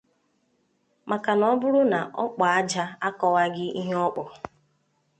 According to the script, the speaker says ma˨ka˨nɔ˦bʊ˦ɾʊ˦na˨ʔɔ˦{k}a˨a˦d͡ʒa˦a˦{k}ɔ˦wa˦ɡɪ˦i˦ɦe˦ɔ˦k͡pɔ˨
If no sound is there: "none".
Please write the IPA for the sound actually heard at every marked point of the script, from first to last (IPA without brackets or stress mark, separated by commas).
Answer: k͡p, k